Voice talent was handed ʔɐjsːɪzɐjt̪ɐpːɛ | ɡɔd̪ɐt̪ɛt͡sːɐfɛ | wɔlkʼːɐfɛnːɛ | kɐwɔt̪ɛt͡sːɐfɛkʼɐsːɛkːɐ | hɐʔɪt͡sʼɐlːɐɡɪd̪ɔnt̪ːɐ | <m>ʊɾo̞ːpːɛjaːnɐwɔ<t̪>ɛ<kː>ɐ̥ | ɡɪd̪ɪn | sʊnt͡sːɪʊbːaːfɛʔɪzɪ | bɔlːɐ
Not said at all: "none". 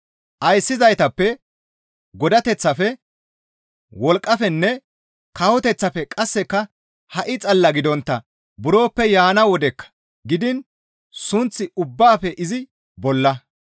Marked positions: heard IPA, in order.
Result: b, d̪, kː

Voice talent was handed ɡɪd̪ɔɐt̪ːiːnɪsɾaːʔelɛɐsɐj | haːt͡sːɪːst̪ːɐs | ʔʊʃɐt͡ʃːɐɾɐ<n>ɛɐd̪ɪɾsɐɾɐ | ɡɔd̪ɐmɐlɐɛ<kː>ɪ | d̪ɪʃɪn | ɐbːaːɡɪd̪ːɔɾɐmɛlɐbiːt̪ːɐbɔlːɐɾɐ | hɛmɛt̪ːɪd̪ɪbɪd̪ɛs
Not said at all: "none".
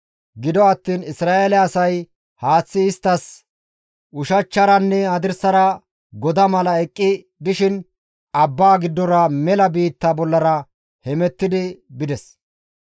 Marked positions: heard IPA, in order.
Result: nː, kʼː

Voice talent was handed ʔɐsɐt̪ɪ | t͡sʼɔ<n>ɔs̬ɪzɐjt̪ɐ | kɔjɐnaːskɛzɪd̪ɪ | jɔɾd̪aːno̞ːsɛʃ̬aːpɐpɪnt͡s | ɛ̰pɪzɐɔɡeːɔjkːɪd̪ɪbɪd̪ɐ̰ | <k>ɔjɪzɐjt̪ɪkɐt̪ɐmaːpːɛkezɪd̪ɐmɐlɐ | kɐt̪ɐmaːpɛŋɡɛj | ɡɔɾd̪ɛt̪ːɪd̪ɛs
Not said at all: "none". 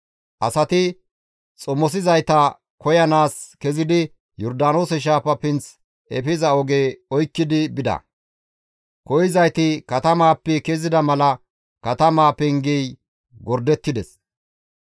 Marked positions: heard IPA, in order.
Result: m, k

